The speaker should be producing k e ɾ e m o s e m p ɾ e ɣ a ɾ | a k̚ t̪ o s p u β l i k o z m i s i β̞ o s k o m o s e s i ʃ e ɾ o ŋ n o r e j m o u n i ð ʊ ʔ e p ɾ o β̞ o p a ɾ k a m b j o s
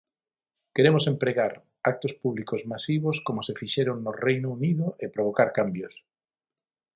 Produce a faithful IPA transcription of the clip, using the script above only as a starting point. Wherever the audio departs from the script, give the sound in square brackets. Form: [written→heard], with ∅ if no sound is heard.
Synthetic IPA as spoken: k e ɾ e m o s e m p ɾ e ɣ a ɾ | a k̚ t̪ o s p u β l i k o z m [i→a] s i β̞ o s k o m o s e [s→f] i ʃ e ɾ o ŋ n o r e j [m→n] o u n i ð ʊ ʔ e p ɾ o β̞ o [p→k] a ɾ k a m b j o s